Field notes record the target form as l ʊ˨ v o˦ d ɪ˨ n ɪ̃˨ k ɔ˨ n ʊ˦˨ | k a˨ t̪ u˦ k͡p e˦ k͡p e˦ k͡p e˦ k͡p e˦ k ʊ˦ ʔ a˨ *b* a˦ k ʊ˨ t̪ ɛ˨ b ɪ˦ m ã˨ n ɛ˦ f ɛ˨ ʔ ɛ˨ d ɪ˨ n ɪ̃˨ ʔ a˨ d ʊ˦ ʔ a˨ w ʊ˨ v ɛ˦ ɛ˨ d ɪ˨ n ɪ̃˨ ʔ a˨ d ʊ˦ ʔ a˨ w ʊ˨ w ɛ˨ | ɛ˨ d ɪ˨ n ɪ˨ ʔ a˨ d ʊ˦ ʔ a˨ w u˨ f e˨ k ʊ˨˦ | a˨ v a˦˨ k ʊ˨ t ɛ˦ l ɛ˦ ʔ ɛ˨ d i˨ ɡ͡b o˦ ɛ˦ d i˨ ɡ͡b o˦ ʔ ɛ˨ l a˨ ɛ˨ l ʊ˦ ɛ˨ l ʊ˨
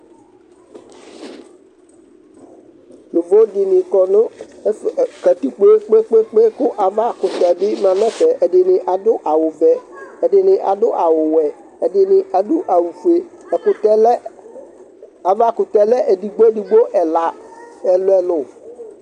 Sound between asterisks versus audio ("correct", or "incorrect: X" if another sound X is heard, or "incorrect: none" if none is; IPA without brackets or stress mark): incorrect: v